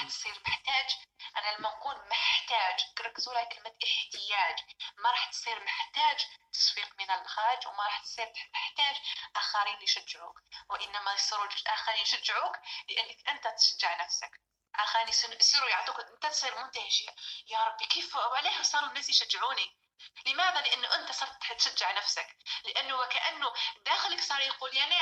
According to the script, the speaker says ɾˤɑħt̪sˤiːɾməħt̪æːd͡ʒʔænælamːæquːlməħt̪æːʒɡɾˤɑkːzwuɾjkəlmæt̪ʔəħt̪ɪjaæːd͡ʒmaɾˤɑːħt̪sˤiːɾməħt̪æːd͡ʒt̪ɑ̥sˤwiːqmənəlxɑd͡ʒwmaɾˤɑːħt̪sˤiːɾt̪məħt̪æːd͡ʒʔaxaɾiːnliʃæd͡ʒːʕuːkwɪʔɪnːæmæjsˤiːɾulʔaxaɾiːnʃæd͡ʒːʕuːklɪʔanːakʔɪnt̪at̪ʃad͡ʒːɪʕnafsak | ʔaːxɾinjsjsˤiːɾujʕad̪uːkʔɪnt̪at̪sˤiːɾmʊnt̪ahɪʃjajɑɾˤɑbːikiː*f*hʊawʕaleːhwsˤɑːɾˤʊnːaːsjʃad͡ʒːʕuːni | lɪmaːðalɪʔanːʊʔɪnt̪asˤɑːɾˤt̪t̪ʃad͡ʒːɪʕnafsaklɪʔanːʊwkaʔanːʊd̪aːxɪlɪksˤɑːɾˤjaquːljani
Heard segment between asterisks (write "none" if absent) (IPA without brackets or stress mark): f